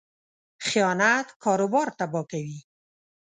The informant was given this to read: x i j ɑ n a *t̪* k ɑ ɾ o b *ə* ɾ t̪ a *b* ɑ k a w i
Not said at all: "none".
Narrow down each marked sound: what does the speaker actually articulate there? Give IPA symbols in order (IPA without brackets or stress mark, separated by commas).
t̪, ɑ, b